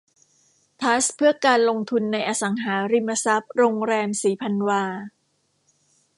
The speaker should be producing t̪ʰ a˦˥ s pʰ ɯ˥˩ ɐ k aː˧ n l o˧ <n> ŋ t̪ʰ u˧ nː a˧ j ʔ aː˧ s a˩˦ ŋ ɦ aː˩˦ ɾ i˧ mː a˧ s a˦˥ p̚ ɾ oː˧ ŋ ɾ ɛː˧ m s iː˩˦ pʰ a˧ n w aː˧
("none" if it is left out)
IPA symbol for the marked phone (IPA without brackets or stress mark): none